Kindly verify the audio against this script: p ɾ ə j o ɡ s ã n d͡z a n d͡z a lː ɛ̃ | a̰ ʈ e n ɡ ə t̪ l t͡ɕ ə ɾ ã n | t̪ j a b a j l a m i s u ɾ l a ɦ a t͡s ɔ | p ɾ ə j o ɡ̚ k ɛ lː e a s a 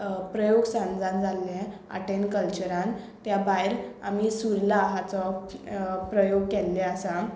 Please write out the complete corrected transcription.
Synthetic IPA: p ɾ ə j o ɡ s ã n d͡z a n d͡z a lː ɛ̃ | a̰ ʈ e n k ə l t͡ɕ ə ɾ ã n | t̪ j a b a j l a m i s u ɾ l a ɦ a t͡s ɔ | p ɾ ə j o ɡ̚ k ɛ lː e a s a